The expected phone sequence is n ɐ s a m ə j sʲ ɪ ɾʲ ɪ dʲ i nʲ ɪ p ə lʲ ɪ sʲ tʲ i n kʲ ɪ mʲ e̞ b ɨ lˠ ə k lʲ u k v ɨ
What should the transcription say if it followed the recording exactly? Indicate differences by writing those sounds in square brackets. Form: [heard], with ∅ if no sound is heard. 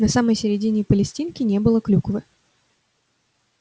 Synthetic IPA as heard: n ɐ s a m ə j sʲ ɪ ɾʲ ɪ dʲ i nʲ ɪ p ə lʲ ɪ sʲ tʲ i n kʲ ɪ [nʲ] e̞ b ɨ lˠ ə k lʲ u k v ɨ